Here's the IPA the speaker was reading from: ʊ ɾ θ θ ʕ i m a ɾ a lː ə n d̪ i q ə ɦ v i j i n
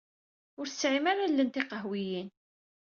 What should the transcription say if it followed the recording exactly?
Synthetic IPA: ʊ ɾ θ s ʕ i m a ɾ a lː ə n t̪ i q ə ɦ w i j i n